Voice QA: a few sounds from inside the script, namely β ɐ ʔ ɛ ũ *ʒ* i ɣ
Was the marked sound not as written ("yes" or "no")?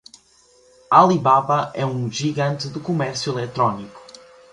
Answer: no